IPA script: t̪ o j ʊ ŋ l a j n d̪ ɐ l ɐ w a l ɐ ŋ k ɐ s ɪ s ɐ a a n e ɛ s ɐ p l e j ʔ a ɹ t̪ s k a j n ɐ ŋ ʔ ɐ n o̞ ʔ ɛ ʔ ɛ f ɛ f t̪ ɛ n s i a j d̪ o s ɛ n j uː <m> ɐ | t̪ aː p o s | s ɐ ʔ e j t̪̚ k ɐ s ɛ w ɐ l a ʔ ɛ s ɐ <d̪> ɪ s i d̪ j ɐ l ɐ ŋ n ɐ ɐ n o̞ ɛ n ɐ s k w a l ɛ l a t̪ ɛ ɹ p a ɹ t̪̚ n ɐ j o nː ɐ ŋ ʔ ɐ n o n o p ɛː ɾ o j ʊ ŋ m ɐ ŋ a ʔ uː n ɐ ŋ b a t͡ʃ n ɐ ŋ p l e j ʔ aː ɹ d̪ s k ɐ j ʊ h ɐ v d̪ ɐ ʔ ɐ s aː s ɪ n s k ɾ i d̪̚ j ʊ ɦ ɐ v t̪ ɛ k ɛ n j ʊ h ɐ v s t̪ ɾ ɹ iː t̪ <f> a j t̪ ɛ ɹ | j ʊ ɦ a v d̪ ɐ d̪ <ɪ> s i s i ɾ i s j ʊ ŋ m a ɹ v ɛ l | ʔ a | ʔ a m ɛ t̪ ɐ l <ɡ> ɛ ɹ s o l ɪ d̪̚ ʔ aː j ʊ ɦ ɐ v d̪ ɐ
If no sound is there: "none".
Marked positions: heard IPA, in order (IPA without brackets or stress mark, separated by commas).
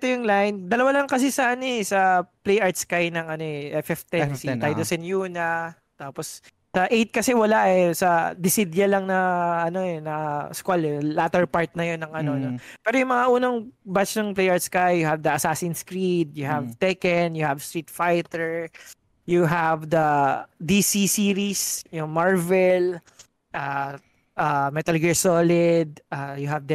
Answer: n, d̪, f, i, ɡ